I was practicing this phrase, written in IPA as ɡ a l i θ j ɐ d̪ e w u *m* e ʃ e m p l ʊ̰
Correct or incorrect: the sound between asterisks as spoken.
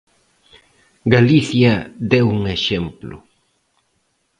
incorrect: ŋ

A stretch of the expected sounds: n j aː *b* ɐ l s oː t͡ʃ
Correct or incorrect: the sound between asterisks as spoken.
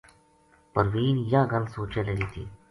incorrect: ɡ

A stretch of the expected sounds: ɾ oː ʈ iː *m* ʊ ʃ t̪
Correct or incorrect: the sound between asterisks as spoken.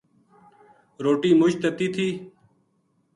correct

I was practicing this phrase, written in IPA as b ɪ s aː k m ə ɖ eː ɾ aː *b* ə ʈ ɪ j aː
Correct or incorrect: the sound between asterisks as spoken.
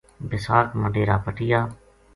incorrect: p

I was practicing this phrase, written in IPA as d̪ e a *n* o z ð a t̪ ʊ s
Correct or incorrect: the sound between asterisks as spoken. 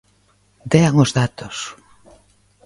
incorrect: ŋ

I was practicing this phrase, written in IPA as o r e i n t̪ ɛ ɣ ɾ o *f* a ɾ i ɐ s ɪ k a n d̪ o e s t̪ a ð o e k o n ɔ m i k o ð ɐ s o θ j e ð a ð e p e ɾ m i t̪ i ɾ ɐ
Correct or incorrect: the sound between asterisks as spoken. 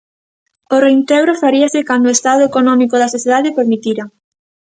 correct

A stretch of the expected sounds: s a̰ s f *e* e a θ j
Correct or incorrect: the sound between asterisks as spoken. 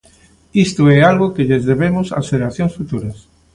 correct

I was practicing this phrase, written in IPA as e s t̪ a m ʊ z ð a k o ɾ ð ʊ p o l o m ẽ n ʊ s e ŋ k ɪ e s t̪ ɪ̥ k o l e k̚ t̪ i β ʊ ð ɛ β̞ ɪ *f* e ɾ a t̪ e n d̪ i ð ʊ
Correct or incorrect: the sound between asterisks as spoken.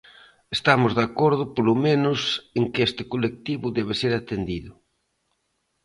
incorrect: s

